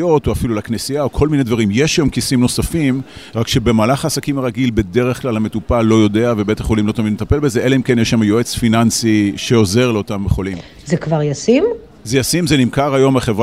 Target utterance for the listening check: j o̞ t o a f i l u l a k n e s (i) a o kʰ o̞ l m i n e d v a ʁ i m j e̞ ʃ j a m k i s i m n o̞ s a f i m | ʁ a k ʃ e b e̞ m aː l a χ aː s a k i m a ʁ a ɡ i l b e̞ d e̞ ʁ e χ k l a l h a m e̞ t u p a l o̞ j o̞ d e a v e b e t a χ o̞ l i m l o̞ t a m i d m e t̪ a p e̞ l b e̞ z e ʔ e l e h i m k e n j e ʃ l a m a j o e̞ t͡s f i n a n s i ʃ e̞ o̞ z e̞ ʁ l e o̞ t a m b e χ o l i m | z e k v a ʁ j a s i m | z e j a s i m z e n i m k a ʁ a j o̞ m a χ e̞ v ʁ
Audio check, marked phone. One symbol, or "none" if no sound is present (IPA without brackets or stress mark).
i